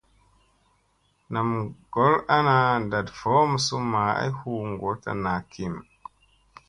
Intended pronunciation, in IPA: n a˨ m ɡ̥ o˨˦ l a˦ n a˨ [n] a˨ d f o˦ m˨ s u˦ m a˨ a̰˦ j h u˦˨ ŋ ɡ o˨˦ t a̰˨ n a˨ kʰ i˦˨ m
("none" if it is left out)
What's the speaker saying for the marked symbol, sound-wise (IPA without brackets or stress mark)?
d